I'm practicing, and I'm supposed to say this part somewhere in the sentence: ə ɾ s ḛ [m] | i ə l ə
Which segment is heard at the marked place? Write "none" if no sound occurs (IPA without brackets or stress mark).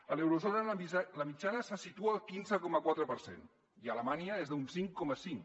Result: n